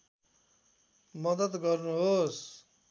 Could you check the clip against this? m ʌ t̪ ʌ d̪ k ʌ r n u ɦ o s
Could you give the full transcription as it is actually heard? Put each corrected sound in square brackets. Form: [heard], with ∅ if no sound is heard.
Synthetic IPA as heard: m ʌ [d̪] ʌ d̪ [ɡ] ʌ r n u ɦ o s

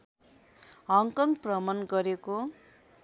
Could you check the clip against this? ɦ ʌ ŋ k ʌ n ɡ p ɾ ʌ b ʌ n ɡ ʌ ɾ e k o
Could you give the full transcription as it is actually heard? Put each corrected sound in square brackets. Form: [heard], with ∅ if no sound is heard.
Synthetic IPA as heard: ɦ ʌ ŋ k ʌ [ŋ] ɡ p [r] ʌ [m] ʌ n ɡ ʌ ɾ e k o

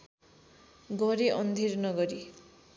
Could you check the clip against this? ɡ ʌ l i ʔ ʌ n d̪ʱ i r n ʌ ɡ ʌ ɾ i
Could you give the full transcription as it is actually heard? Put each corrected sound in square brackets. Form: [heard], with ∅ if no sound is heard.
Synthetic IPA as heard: ɡ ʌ [ɾ] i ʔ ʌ n d̪ʱ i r n ʌ ɡ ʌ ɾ i

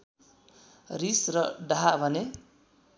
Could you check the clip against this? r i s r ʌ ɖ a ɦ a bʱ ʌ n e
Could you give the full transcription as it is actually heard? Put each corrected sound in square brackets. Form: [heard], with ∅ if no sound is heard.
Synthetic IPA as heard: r i s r ʌ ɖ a ɦ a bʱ ʌ n e

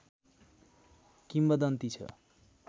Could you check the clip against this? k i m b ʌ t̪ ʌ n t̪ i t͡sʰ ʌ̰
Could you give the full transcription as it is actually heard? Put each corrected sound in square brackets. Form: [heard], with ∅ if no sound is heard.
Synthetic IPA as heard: k i m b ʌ [d̪] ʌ n t̪ i t͡sʰ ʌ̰

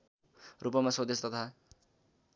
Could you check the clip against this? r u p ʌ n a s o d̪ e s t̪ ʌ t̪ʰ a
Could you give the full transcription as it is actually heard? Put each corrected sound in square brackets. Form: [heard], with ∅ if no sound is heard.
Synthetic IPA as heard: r u p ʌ [m] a s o d̪ e s t̪ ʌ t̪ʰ a

